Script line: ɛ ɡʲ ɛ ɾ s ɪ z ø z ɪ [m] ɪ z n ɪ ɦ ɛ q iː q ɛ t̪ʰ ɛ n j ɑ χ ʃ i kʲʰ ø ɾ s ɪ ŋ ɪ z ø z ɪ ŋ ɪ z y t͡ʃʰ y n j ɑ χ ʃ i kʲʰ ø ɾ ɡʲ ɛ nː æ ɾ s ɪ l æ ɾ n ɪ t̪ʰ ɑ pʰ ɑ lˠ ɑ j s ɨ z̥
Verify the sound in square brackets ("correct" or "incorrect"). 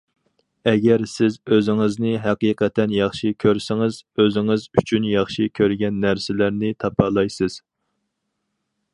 incorrect